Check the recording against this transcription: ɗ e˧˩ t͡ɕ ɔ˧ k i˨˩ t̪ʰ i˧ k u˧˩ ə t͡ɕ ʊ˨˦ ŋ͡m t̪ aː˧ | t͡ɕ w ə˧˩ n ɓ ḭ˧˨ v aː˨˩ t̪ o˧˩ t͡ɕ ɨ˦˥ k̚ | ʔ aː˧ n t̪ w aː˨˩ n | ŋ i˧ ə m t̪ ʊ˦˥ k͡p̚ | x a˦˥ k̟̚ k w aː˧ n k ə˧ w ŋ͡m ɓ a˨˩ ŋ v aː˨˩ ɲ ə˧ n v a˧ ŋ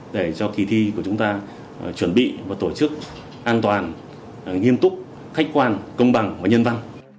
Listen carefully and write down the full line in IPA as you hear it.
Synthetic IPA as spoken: ɗ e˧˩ t͡ɕ ɔ˧ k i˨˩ t̪ʰ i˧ k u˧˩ ə t͡ɕ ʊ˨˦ ŋ͡m t̪ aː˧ | t͡ɕ w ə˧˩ n ɓ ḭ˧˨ v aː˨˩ t̪ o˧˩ t͡ɕ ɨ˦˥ k̚ | ʔ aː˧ n t̪ w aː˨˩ n | ŋ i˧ ə m t̪ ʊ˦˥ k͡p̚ | x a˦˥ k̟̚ k w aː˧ n k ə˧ w ŋ͡m ɓ a˨˩ ŋ v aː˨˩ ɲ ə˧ n v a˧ n